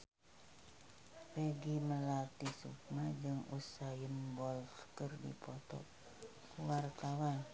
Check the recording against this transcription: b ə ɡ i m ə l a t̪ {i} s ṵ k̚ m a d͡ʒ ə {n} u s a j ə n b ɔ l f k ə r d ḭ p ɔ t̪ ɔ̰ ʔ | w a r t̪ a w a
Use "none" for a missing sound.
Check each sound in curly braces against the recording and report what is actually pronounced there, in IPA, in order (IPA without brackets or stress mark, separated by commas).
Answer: i, ŋ